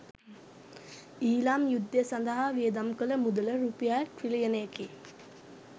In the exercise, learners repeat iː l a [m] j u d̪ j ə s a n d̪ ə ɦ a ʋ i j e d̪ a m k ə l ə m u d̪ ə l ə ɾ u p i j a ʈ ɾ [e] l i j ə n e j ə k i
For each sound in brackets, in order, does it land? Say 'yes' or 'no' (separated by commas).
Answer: yes, no